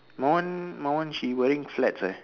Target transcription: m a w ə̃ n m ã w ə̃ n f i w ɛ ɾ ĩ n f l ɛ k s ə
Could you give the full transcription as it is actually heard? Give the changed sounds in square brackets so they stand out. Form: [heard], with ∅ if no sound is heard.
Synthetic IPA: m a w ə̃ n m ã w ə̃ n [ʃ] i w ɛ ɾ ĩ [ŋ] f l ɛ [t] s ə